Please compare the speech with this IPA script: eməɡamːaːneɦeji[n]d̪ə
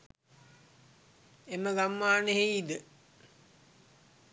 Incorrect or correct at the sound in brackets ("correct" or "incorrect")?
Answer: incorrect